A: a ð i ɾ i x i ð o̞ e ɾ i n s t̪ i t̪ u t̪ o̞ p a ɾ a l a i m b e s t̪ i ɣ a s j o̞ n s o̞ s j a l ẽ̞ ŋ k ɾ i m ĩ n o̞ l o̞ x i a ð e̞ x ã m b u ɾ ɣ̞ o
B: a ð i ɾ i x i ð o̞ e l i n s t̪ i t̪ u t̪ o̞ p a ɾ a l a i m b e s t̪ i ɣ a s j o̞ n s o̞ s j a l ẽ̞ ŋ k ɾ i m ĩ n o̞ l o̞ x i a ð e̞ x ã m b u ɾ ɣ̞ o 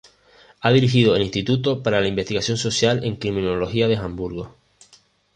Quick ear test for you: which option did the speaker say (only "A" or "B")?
B